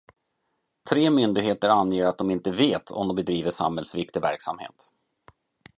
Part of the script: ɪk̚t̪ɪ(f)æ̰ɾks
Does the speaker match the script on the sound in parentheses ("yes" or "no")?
no